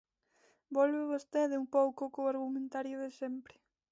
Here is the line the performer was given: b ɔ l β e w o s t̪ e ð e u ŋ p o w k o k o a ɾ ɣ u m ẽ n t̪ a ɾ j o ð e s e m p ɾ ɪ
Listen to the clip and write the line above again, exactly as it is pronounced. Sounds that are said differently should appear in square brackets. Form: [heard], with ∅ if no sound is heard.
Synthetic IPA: b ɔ l β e [β] o s t̪ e ð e u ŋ p o w k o k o a ɾ ɣ u m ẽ n t̪ a ɾ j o ð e s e m p ɾ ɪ